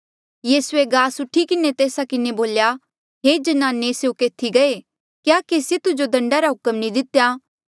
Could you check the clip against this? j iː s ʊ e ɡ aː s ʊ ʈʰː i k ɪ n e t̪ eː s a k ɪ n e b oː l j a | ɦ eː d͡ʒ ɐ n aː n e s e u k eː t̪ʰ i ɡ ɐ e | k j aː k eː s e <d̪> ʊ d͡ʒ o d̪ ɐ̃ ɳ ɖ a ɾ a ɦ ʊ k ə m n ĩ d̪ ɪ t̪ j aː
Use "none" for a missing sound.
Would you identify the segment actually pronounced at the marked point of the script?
t̪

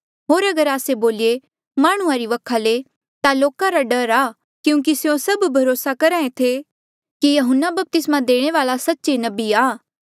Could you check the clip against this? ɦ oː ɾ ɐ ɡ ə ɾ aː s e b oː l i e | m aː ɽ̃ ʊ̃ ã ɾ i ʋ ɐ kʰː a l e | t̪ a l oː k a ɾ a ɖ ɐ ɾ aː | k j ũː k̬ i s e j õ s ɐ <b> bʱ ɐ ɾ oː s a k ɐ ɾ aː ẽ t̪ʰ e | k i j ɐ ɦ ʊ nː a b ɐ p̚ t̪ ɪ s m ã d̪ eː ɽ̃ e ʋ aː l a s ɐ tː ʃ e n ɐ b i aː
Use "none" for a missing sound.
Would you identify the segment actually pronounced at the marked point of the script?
b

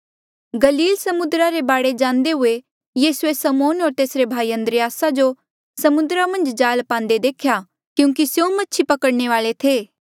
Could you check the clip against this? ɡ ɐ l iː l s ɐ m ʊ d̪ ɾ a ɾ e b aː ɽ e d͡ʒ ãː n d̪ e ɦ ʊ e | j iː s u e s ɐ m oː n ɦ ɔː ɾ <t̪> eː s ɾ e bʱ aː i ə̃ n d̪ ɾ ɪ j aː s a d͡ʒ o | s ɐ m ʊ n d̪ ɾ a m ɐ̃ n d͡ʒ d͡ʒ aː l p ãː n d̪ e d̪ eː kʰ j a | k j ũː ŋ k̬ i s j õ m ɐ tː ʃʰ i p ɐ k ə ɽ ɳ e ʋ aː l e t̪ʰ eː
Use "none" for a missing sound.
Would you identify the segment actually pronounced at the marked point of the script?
t̪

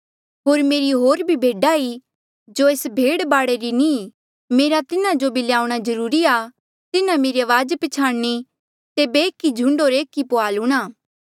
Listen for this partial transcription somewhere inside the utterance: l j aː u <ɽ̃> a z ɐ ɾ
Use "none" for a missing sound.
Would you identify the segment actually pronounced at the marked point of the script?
ɽ̃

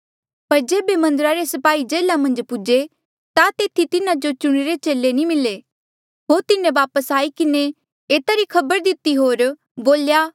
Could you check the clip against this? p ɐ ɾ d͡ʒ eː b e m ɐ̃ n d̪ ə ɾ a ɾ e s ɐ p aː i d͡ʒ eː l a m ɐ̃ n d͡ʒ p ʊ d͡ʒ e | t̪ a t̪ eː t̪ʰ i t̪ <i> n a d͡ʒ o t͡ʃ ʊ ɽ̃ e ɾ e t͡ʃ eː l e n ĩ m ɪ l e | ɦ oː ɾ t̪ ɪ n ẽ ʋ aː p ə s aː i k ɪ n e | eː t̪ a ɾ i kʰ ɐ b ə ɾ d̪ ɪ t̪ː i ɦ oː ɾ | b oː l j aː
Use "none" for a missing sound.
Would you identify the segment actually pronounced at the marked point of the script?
ɪ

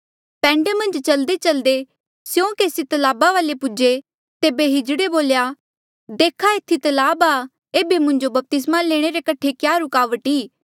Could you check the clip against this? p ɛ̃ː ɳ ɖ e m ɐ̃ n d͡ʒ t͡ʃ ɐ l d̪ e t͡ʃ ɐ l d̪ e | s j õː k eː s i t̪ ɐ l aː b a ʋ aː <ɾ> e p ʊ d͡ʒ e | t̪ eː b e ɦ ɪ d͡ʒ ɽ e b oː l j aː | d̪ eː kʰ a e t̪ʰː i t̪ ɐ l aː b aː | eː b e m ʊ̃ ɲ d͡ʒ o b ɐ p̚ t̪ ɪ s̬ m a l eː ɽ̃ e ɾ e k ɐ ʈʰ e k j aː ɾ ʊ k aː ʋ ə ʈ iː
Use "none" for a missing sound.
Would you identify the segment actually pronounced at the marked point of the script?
l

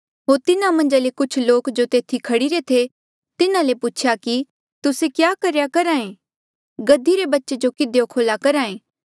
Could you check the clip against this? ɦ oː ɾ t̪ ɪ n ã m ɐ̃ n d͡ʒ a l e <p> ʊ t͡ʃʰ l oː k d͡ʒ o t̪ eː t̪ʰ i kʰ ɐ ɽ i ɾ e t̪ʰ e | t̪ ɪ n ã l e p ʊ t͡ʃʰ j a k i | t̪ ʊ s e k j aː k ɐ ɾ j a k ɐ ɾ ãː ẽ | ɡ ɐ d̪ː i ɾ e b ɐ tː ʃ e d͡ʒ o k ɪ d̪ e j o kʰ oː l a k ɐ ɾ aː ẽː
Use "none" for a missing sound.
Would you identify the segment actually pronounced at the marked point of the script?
k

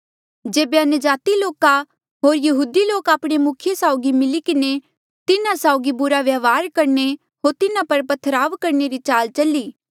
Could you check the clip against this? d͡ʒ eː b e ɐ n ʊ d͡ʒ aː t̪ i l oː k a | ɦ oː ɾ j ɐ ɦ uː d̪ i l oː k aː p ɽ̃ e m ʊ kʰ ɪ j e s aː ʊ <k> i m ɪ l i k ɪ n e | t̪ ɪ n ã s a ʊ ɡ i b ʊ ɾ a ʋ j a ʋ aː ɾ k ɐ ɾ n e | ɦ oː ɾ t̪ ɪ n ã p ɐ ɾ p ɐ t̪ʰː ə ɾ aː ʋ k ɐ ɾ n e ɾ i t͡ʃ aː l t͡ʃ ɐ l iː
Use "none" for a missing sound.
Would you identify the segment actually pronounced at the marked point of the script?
ɡ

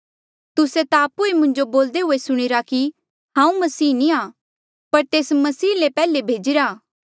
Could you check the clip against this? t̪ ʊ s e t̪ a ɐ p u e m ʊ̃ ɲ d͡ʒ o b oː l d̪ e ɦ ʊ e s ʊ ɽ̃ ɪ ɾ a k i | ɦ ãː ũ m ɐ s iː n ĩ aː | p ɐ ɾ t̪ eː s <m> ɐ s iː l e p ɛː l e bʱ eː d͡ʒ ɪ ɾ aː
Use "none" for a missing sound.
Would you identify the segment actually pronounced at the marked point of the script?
m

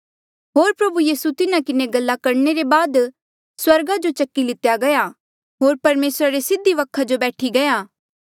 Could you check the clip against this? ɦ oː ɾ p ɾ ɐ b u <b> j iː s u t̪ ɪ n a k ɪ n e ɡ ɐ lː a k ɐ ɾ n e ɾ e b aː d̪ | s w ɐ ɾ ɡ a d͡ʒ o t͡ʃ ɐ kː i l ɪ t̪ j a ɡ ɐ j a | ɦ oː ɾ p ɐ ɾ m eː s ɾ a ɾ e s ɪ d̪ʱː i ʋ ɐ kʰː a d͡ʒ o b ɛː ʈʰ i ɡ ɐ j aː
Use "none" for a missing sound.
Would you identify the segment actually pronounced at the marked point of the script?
none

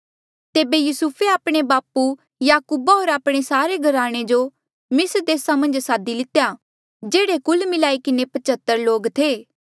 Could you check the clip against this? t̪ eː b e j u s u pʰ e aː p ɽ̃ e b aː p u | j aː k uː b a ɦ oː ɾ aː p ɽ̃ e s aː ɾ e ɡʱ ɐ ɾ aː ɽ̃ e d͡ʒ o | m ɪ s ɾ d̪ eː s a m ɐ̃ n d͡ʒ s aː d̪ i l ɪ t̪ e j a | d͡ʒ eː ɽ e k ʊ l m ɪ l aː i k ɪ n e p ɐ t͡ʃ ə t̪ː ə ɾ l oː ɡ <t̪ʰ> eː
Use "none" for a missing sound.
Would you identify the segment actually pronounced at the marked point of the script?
t̪ʰ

